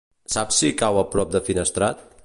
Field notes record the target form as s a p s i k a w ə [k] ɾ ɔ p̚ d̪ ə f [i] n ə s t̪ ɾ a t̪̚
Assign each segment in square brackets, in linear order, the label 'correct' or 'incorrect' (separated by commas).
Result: incorrect, correct